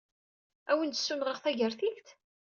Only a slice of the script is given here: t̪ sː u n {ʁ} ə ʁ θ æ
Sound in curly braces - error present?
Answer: no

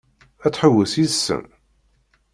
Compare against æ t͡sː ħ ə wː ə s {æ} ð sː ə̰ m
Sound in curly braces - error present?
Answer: yes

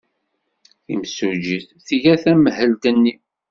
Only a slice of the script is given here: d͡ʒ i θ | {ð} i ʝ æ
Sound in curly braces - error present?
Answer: yes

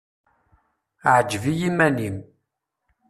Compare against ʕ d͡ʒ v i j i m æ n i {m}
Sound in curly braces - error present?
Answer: no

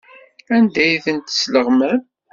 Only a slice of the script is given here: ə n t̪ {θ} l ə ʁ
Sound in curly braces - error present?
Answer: yes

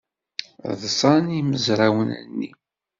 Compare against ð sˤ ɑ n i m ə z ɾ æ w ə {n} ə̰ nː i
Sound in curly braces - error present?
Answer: no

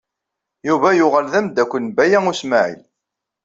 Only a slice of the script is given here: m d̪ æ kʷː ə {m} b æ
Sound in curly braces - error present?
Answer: yes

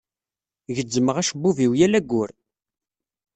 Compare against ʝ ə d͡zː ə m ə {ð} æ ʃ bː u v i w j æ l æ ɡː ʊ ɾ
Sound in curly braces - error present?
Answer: yes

